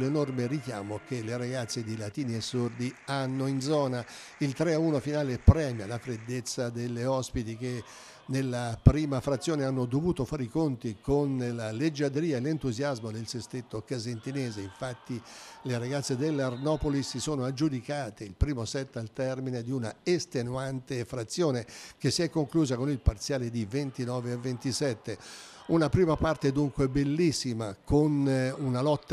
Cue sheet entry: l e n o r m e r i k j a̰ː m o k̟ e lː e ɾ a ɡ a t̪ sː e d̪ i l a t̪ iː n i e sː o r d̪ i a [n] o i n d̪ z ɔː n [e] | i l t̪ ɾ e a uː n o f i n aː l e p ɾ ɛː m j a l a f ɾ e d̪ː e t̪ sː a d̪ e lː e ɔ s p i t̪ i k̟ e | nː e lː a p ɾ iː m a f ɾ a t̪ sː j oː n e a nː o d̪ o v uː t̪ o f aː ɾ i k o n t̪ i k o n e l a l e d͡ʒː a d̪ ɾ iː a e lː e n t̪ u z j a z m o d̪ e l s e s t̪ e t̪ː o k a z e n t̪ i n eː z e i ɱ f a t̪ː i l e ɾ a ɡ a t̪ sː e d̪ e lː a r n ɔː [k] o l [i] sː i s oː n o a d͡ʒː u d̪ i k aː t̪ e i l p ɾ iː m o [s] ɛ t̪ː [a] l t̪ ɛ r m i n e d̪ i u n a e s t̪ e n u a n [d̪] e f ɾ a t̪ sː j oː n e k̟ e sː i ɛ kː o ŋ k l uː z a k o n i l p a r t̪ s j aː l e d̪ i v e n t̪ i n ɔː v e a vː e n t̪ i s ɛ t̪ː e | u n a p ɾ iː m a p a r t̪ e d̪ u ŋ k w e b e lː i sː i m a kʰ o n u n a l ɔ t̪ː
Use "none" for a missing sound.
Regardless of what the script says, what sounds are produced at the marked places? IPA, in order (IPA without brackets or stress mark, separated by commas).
nː, a, p, i, s, a, t̪